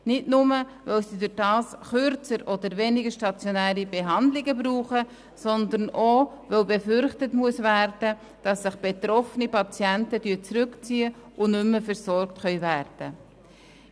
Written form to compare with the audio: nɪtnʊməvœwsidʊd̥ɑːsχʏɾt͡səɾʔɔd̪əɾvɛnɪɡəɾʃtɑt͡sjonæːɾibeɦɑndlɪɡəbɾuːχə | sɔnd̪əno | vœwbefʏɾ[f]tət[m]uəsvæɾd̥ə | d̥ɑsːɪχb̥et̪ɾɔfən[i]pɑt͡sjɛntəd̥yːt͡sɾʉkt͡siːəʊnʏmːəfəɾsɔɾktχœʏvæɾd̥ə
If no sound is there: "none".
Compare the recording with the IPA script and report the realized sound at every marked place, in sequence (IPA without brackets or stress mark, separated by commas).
χ, m, i